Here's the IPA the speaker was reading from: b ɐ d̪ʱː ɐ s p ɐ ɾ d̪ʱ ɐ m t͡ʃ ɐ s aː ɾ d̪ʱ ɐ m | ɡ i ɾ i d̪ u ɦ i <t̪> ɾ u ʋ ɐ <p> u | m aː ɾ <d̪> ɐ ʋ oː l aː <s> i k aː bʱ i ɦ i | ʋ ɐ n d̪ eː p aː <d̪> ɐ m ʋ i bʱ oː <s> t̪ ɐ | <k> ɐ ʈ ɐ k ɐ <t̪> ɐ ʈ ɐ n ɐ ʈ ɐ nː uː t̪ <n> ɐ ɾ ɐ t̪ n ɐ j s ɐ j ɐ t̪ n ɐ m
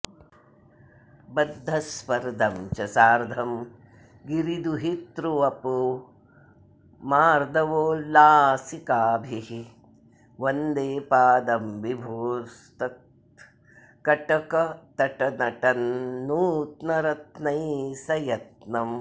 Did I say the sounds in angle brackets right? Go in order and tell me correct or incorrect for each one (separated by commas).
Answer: correct, correct, correct, correct, correct, correct, correct, correct, correct